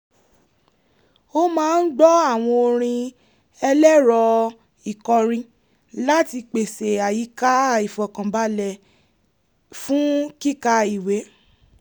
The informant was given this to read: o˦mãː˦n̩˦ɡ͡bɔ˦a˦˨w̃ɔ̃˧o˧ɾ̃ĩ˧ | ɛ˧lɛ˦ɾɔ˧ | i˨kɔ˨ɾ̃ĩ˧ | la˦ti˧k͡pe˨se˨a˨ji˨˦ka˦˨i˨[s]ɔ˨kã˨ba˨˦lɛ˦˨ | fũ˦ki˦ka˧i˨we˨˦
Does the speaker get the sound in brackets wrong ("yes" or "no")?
yes